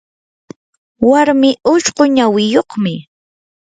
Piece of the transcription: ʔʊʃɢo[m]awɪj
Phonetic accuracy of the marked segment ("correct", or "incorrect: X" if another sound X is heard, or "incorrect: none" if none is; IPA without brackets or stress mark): incorrect: ɲ